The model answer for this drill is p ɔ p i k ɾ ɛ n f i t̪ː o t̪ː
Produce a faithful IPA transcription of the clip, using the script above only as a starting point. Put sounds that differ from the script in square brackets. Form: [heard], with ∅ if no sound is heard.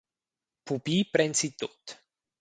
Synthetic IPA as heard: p [u] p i [p] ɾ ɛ n [s] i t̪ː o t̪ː